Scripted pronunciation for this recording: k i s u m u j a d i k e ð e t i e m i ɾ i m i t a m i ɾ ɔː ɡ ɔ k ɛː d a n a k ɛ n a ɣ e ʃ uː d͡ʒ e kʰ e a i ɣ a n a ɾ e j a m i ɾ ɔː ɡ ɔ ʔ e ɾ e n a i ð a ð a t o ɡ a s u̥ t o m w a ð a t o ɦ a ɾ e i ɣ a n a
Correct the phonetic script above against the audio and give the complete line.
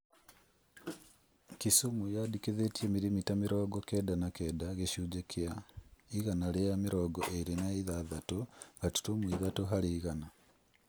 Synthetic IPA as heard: k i s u m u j a d i k e ð e t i e m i ɾ i m i t a m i ɾ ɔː ɡ ɔ k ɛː d a n a k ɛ d a ɣ e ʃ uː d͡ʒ e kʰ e a i ɣ a n a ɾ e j a m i ɾ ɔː ɡ ɔ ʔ e ɾ e n a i ð a ð a t o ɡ a t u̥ t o m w i ð a t o ɦ a ɾ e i ɣ a n a

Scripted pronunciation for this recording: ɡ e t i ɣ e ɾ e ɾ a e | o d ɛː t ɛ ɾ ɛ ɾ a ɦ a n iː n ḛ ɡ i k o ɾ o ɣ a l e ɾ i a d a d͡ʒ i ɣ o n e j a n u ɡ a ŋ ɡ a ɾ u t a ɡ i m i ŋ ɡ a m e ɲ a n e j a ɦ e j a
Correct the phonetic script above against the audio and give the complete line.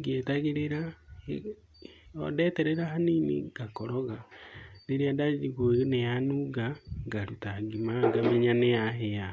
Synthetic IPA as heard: ɡ e t a ɣ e ɾ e ɾ a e | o d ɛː t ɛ ɾ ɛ ɾ a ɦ a n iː n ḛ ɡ a k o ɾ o ɣ a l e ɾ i a d a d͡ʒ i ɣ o n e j a n u ɡ a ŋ ɡ a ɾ u t a ɡ i m a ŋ ɡ a m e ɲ a n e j a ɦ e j a

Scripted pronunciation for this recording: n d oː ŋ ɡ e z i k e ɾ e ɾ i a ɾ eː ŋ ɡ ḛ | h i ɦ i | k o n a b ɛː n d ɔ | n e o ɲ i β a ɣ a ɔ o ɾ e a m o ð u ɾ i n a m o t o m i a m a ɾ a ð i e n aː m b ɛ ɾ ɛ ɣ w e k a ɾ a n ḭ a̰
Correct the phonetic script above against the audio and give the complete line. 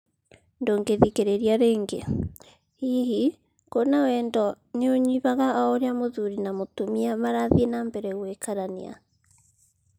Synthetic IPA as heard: n d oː ŋ ɡ e ð i k e ɾ e ɾ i a ɾ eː ŋ ɡ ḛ | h i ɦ i | k o n a w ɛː n d ɔ | n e o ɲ i β a ɣ a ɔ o ɾ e a m o ð u ɾ i n a m o t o m i a m a ɾ a ð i e n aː m b ɛ ɾ ɛ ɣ w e k a ɾ a n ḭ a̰

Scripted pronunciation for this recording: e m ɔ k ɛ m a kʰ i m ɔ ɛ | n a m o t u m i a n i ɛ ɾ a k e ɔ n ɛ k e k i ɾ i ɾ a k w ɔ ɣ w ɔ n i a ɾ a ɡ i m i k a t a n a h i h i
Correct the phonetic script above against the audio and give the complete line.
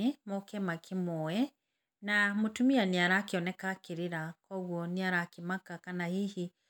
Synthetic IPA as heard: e m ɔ k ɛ m a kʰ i m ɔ ɛ | n a m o t u m i a n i a ɾ a k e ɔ n ɛ k a k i ɾ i ɾ a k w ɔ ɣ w ɔ n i a ɾ a k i m a k a k a n a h i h i

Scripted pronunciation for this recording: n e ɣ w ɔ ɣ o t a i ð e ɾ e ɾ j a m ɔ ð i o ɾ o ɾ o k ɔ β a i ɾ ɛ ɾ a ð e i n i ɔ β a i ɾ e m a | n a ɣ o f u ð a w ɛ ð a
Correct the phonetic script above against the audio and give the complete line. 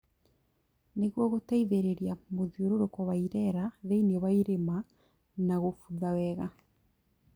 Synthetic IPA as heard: n e ɣ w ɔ ɣ o t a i ð e ɾ e ɾ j a m o ð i o ɾ o ɾ o k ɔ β a i ɾ ɛ ɾ a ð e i n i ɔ β a i ɾ e m a | n a ɣ o f u ð a w ɛ ɣ a

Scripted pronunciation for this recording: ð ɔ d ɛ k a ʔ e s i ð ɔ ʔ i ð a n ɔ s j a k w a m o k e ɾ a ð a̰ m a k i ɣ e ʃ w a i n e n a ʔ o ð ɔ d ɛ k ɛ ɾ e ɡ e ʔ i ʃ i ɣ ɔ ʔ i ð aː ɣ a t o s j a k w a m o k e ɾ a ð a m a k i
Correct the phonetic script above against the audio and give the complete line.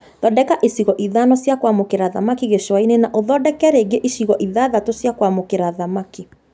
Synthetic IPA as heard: ð ɔ d ɛ k a ʔ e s i ɣ ɔ ʔ i ð a n ɔ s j a k w a m o k e ɾ a ð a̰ m a k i ɣ e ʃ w a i n e n a ʔ o ð ɔ d ɛ k ɛ ɾ e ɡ e ʔ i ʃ i ɣ ɔ ʔ i ð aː ð a t o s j a k w a m o k e ɾ a ð a m a k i

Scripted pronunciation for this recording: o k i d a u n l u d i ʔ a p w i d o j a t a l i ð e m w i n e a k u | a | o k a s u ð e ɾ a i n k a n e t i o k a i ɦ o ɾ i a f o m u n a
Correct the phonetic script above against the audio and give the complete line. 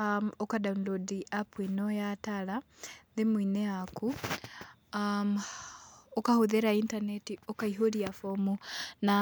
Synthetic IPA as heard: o k a d a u n l o d i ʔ a p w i n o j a t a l a ð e m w i n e a k u | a | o k a h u ð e ɾ a i n t a n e t i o k a i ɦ o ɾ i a f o m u n a

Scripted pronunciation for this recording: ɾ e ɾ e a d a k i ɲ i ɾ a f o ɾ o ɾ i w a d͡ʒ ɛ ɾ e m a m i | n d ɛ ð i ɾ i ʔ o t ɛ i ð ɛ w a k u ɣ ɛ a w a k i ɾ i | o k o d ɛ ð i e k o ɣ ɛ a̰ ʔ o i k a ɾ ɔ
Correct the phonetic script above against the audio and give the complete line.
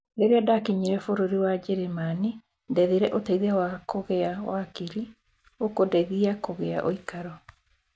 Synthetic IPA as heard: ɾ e ɾ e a d a k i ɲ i ɾ ɛ f o ɾ o ɾ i w a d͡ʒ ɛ ɾ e m a n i | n d ɛ ð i ɾ ɛ ʔ o t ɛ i ð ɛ w a k o ɣ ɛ a w a k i ɾ i | o k o d ɛ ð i a k o ɣ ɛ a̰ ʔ o i k a ɾ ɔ

